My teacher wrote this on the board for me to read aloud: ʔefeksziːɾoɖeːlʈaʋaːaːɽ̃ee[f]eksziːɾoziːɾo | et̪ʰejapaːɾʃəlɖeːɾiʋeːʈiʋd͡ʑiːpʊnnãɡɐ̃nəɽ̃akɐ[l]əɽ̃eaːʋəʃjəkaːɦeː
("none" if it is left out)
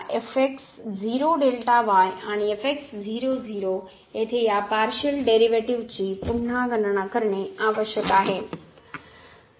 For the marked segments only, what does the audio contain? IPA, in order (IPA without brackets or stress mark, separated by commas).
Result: f, ɾ